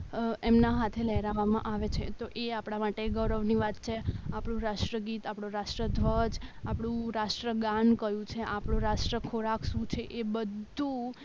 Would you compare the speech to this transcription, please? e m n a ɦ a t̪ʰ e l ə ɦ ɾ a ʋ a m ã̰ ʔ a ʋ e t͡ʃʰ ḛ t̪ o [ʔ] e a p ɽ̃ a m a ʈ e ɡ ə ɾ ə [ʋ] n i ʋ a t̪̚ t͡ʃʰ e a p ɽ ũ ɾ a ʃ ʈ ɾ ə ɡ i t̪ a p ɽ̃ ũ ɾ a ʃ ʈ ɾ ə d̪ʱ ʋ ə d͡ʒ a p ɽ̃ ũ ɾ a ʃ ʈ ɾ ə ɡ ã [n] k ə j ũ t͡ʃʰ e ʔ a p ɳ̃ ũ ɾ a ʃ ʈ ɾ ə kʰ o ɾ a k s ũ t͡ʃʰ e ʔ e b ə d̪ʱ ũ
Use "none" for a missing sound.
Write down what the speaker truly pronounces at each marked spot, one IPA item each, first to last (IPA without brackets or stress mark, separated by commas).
ʔ, ʋ, n